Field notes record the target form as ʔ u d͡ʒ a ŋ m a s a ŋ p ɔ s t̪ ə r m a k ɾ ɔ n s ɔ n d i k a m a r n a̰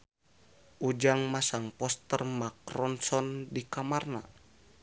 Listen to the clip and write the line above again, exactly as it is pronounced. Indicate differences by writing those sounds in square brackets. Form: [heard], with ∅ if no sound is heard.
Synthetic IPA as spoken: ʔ u d͡ʒ a ŋ m a s a ŋ p ɔ s t̪ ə r m a k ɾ ɔ n s ɔ n d i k a m a r n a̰